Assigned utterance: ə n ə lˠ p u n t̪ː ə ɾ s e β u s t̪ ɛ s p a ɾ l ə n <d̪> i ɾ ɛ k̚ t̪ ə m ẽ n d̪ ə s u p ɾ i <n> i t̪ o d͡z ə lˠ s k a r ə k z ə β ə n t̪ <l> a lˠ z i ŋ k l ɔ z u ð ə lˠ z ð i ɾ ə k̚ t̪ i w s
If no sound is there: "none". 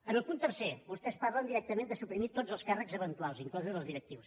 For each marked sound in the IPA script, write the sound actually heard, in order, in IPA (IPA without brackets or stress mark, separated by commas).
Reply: d̪, m, l